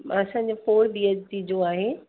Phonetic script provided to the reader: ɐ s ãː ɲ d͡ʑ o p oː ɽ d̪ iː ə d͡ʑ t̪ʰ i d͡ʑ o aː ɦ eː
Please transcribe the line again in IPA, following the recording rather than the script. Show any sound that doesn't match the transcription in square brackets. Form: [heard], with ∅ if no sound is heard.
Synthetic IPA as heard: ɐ s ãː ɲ d͡ʑ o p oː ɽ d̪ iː ə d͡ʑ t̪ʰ i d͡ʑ o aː ɦ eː